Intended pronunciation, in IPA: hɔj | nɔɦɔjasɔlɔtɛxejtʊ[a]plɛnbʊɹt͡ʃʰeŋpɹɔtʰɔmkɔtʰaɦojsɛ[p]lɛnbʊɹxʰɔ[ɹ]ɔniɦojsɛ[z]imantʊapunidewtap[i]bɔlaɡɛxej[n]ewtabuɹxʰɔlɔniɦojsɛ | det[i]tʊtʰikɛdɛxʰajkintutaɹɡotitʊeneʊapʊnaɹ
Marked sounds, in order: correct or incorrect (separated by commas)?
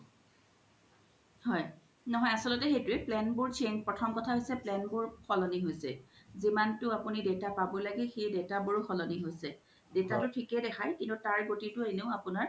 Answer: incorrect, correct, incorrect, correct, incorrect, incorrect, incorrect